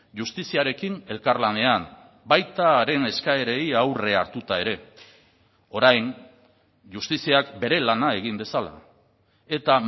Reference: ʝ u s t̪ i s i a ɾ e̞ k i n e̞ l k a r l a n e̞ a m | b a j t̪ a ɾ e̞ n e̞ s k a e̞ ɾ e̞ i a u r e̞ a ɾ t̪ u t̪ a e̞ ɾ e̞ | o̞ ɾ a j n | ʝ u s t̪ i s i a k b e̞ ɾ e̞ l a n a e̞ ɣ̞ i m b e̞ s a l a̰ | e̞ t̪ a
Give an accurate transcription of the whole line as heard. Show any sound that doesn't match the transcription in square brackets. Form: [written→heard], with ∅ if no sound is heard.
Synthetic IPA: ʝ u s t̪ i s i a ɾ e̞ k i n e̞ l k a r l a n e̞ a m | b a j t̪ a ɾ e̞ n e̞ s k a e̞ ɾ e̞ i a [u→w] r e̞ a ɾ t̪ u t̪ a e̞ ɾ e̞ | o̞ ɾ a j n | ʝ u s t̪ i s i a k b e̞ ɾ e̞ l a n a e̞ ɣ̞ i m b e̞ s a l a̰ | e̞ t̪ a